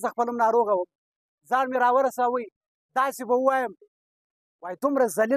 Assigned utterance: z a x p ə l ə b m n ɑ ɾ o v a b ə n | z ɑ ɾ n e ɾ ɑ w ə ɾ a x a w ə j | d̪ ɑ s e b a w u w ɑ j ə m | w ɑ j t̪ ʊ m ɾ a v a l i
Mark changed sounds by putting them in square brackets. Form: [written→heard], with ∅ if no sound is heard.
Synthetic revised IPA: z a x p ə l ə [b→∅] m n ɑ ɾ o [v→ɣ] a [b→w] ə [n→m] | z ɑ ɾ [n→m] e ɾ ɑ w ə ɾ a [x→s] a w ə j | d̪ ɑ s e b a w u w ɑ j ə m | w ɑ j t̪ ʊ m ɾ a [v→z] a l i